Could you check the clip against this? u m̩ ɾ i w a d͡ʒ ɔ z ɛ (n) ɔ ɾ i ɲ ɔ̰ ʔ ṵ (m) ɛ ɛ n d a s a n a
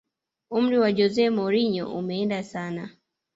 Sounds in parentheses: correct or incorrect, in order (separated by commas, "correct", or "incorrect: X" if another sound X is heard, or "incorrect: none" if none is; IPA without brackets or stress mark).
incorrect: m, correct